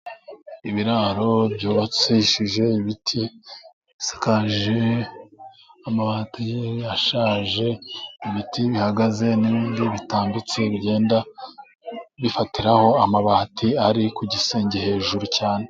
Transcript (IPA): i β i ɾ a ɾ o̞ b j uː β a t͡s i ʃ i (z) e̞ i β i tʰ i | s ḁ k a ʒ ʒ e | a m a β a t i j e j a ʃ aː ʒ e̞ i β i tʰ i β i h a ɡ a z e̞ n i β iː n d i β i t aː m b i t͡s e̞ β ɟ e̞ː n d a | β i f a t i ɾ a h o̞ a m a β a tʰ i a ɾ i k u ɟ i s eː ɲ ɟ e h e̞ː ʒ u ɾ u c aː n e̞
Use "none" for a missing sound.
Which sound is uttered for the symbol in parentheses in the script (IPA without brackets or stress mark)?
ʒ